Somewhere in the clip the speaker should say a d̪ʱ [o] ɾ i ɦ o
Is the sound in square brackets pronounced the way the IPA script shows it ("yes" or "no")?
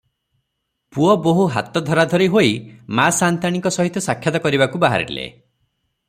no